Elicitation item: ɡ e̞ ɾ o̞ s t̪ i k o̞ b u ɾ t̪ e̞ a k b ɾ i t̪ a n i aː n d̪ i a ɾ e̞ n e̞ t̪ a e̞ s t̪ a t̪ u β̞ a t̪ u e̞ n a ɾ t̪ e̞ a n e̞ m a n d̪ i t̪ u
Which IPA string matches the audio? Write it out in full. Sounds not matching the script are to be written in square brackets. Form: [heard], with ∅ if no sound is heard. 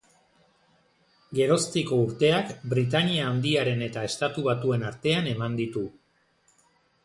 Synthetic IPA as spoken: ɡ e̞ ɾ o̞ s t̪ i k o̞ [∅] u ɾ t̪ e̞ a k b ɾ i t̪ a n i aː n d̪ i a ɾ e̞ n e̞ t̪ a e̞ s t̪ a t̪ u β̞ a t̪ u e̞ n a ɾ t̪ e̞ a n e̞ m a n d̪ i t̪ u